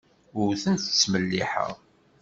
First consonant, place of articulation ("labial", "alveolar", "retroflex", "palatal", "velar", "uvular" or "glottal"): alveolar